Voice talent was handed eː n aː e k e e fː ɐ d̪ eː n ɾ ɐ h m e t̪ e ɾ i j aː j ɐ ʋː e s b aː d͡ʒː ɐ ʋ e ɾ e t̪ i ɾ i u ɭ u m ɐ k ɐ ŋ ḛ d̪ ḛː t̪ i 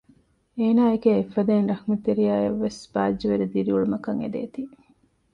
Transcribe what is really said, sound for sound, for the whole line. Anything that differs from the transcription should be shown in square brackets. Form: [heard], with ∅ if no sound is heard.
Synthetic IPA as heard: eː n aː e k e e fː ɐ d̪ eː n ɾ ɐ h m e t̪ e ɾ i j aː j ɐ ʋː e s b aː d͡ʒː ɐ ʋ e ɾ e [d̪] i ɾ i u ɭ u m ɐ k ɐ ŋ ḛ d̪ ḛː t̪ i